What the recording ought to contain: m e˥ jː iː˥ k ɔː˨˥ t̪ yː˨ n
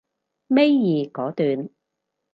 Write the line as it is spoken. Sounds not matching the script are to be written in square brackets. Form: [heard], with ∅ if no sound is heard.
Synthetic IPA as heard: m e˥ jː [iː˨] k ɔː˨˥ t̪ yː˨ n